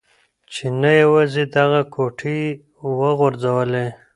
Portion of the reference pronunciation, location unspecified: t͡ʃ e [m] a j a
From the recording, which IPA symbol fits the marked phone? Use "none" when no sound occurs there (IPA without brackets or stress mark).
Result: n